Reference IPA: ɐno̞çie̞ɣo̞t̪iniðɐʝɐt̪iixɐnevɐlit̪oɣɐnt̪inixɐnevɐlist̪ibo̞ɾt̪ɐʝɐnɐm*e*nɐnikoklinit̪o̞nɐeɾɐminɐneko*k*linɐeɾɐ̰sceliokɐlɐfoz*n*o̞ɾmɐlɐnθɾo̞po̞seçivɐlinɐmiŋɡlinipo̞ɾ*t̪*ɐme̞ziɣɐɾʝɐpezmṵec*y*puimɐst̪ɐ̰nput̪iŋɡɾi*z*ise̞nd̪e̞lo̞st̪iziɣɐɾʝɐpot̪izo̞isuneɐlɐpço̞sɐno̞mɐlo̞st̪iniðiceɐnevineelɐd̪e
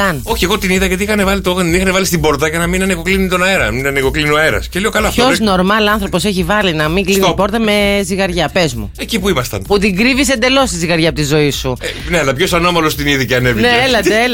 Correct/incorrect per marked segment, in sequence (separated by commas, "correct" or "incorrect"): incorrect, correct, correct, correct, incorrect, incorrect